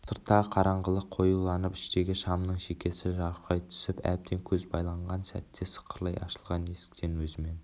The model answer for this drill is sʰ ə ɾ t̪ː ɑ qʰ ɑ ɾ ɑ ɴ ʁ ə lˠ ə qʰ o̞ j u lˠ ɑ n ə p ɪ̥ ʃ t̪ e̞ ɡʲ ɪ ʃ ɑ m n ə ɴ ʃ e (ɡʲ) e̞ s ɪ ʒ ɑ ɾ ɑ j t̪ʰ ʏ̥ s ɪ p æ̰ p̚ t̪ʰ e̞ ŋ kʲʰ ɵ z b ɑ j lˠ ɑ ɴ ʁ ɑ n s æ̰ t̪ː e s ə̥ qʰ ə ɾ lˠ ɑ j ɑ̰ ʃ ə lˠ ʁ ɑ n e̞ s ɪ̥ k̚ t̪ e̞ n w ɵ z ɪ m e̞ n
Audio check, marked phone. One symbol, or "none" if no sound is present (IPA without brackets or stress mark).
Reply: kʲ